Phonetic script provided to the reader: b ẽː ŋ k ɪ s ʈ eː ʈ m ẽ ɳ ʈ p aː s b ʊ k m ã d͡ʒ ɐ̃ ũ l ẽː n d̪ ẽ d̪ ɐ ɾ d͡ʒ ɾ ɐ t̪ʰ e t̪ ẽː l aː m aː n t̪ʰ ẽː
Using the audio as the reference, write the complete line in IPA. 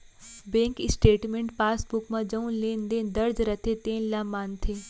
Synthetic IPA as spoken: b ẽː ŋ k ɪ s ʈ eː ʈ m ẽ ɳ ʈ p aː s b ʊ k m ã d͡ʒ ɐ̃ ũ l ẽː n d̪ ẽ d̪ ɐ ɾ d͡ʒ ɾ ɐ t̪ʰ e t̪ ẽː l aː m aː n t̪ʰ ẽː